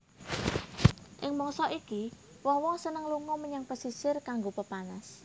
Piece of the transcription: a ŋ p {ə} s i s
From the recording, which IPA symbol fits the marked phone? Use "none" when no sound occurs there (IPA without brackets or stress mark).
ə